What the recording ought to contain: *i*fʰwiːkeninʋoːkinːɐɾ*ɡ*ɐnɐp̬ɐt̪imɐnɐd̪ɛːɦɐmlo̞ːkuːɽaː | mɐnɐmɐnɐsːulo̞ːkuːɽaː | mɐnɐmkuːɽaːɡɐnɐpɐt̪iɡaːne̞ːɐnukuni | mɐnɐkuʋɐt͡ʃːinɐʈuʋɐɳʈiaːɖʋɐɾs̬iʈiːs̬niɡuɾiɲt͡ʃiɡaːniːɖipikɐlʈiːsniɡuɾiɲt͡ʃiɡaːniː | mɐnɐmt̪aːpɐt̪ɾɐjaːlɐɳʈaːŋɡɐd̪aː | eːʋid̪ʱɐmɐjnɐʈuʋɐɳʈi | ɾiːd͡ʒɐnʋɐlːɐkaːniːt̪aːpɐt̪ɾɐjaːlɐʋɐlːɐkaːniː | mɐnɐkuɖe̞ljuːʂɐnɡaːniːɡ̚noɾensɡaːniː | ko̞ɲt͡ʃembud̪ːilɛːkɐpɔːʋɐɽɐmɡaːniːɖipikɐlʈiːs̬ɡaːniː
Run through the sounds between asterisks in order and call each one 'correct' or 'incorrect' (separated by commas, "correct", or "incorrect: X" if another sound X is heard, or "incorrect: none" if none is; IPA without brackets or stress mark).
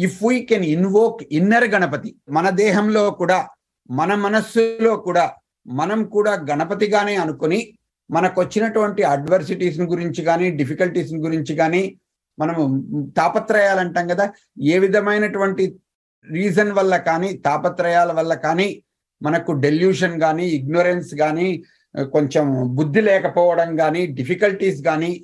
correct, correct